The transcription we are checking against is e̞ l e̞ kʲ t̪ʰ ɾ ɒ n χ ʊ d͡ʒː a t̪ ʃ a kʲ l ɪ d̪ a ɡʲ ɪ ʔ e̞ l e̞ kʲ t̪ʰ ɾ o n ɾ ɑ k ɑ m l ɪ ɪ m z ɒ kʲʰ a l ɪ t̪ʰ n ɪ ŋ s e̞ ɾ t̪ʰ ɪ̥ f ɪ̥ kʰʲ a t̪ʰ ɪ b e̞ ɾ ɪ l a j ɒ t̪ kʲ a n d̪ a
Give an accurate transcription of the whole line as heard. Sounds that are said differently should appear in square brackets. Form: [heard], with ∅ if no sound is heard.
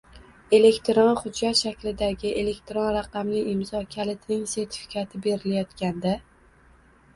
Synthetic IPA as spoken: e̞ l e̞ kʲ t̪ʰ ɾ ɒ n χ ʊ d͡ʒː a t̪ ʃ a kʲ l ɪ d̪ a ɡʲ ɪ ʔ e̞ l e̞ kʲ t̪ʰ ɾ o n ɾ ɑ [q] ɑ m l ɪ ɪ m z ɒ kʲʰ a l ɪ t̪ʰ n ɪ ŋ s e̞ ɾ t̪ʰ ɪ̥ f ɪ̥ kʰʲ a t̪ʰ ɪ b e̞ ɾ ɪ l a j ɒ t̪ kʲ a n d̪ a